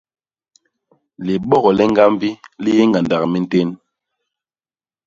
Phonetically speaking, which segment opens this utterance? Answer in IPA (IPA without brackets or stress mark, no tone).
l